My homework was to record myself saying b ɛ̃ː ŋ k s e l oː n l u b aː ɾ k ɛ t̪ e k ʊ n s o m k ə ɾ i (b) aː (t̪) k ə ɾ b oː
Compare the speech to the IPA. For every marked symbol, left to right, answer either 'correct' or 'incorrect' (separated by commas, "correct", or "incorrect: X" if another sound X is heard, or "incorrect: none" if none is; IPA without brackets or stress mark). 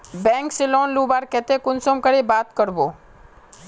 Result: correct, correct